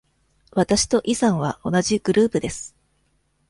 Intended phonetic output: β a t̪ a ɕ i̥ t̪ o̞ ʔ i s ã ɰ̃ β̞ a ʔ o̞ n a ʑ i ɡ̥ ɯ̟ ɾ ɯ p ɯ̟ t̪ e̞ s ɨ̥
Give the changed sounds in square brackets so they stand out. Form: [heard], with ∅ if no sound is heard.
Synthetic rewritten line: β a t̪ a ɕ i̥ t̪ o̞ ʔ i s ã ɰ̃ β̞ a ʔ o̞ n a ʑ i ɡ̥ ɯ̟ ɾ [ɯː] p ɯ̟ [d̪] e̞ s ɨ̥

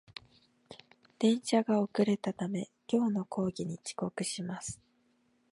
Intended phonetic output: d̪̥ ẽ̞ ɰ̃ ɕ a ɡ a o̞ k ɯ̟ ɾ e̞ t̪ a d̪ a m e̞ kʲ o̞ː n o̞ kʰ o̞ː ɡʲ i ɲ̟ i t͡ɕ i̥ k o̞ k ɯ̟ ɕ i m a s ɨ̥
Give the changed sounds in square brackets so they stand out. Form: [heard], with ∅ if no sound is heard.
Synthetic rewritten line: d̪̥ ẽ̞ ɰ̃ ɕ a ɡ a o̞ k ɯ̟ ɾ e̞ t̪ a [t̪] a m e̞ kʲ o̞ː n o̞ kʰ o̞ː ɡʲ i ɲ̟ i t͡ɕ i̥ k o̞ k ɯ̟ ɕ i m a s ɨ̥

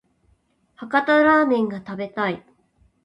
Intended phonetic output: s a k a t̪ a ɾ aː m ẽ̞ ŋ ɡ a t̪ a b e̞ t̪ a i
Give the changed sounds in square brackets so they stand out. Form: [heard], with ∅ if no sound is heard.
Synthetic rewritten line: [h] a k a t̪ a ɾ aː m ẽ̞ ŋ ɡ a t̪ a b e̞ t̪ a i

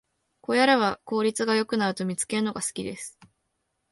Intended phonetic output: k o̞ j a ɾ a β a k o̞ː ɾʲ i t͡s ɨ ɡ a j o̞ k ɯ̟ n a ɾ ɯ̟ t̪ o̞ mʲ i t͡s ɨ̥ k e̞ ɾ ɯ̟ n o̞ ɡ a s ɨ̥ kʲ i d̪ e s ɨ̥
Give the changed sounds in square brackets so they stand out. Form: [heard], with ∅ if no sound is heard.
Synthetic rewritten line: k o̞ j a ɾ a β a k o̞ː ɾʲ i t͡s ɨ ɡ a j o̞ k ɯ̟ n a ɾ ɯ̟ t̪ o̞ mʲ i t͡s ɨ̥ k e̞ ɾ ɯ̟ n o̞ ɡ a s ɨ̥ kʲ i d̪ e s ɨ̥

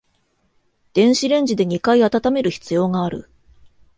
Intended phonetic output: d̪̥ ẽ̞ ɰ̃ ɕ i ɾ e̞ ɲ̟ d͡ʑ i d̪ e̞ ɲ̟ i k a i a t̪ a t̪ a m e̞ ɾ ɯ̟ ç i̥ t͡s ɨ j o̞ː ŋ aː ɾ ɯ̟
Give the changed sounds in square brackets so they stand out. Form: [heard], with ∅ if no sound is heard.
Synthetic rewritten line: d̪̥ ẽ̞ ɰ̃ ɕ i ɾ [ẽ̞] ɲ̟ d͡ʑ i d̪ e̞ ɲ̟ i k a i a t̪ a t̪ a m e̞ ɾ ɯ̟ ç i̥ t͡s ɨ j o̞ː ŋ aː ɾ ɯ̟

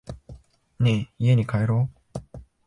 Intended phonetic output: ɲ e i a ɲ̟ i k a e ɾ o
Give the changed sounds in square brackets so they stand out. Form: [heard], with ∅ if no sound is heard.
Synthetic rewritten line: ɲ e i [e] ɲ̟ i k a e ɾ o

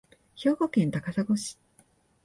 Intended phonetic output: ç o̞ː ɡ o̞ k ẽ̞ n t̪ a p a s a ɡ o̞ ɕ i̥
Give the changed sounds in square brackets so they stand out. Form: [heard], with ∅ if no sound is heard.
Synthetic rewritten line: ç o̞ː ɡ o̞ k ẽ̞ n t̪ a [k] a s a ɡ o̞ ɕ i̥

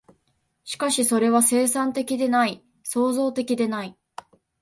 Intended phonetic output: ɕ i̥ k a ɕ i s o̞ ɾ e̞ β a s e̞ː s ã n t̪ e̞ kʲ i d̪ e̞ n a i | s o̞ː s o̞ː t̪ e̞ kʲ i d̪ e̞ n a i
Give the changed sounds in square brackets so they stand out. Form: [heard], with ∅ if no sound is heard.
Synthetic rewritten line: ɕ i̥ k a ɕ i s o̞ ɾ e̞ β a s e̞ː s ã n t̪ e̞ kʲ i d̪ e̞ n a i | s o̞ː [z] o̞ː t̪ e̞ kʲ i d̪ e̞ n a i

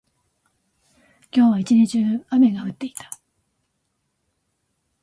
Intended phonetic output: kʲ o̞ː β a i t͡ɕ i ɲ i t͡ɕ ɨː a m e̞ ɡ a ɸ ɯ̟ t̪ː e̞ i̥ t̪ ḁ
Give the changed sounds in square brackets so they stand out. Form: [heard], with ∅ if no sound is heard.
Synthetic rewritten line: kʲ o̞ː β a i t͡ɕ i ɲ i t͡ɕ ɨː a m e̞ ɡ a ɸ ɯ̟ t̪ː e̞ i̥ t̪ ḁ

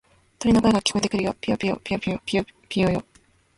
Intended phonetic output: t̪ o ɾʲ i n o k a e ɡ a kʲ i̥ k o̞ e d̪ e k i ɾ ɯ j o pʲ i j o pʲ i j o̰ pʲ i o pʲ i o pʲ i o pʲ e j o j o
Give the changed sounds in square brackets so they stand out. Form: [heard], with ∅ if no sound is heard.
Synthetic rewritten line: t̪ o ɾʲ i n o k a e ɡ a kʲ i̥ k o̞ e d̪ e k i ɾ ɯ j o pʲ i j o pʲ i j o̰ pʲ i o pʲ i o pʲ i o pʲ [i] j o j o

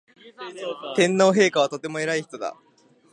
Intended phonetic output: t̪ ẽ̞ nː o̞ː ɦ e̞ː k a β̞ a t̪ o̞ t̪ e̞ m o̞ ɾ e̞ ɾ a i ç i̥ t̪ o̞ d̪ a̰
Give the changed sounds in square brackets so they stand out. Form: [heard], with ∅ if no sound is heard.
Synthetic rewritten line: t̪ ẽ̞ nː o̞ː ɦ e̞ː k a β̞ a t̪ o̞ t̪ e̞ m o̞ [∅] e̞ ɾ a i ç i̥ t̪ o̞ d̪ a̰

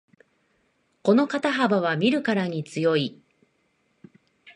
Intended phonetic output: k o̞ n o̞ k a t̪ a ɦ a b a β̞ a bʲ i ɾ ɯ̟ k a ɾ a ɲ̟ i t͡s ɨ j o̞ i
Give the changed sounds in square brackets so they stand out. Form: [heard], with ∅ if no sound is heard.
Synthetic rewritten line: k o̞ n o̞ k a t̪ a ɦ a b a β̞ a [mʲ] i ɾ ɯ̟ k a ɾ a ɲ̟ i t͡s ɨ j o̞ i

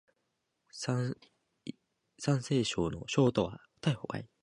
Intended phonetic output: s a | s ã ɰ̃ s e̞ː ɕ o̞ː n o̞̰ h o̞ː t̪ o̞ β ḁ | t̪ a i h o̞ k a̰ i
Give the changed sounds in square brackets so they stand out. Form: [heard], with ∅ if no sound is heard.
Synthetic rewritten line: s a | s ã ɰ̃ s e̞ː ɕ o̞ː n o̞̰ [ɕ] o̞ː t̪ o̞ β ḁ | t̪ a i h o̞ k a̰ i

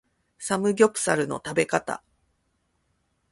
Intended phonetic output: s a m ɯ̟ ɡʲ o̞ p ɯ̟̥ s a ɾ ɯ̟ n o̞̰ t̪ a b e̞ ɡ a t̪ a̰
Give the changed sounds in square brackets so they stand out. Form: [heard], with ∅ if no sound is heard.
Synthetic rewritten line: s a m ɯ̟ ɡʲ o̞ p ɯ̟̥ s a ɾ ɯ̟ n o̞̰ t̪ a b e̞ [k] a t̪ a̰

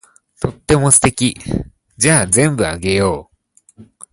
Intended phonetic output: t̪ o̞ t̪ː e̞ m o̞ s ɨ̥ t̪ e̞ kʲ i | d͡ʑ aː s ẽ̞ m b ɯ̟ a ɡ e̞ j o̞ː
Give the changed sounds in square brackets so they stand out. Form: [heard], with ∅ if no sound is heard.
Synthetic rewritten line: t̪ o̞ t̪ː e̞ m o̞ s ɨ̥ t̪ e̞ kʲ i | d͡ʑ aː [z] ẽ̞ m b ɯ̟ a ɡ e̞ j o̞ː

